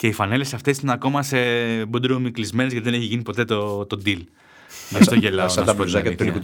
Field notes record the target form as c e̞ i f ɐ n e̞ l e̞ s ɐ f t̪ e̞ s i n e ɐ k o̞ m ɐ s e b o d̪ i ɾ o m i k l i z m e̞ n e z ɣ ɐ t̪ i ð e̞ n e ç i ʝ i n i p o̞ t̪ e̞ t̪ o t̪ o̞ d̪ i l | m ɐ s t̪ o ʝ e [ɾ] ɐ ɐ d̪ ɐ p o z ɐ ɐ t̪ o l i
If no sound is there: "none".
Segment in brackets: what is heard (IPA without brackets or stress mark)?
l